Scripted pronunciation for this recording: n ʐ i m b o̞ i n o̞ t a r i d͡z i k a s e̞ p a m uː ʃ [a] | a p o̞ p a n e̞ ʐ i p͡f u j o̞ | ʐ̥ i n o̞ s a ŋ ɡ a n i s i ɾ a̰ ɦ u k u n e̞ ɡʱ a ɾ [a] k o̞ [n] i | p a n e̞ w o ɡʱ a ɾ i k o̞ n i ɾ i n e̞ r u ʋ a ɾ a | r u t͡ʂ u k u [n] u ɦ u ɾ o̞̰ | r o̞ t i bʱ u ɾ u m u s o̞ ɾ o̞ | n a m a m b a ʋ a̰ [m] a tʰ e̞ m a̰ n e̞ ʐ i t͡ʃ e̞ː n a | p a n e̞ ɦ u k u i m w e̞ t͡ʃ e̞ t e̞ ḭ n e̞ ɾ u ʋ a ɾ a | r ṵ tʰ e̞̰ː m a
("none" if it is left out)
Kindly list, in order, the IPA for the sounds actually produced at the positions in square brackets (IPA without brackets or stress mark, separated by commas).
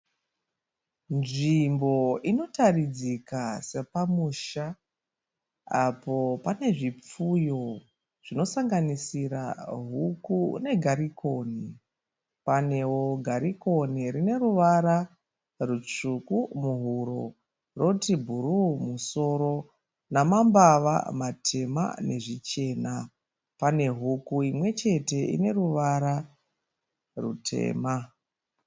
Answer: a, i, n, m, m